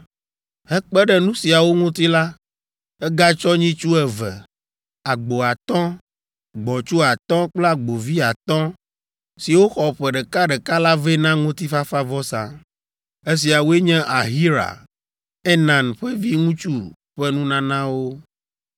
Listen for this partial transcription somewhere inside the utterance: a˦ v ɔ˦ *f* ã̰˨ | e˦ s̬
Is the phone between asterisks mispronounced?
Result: yes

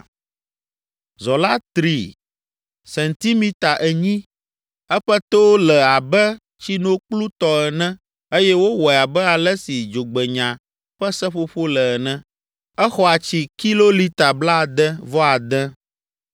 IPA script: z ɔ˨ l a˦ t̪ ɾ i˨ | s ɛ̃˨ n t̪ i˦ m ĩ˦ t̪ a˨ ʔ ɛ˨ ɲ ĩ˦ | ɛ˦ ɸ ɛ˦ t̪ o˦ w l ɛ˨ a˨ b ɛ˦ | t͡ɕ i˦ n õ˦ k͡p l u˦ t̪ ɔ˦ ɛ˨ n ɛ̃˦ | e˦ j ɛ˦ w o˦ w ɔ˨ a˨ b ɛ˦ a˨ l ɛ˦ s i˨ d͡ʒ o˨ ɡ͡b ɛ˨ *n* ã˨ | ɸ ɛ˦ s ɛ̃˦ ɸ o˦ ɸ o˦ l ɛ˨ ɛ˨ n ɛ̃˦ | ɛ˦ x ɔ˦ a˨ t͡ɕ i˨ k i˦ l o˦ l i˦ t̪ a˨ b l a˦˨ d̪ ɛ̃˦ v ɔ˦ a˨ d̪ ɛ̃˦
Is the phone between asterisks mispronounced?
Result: yes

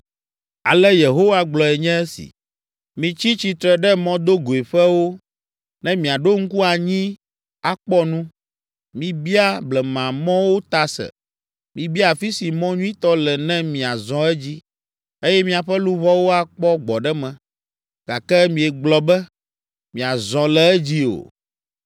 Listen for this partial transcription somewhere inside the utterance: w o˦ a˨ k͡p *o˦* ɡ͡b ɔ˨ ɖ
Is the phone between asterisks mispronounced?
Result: yes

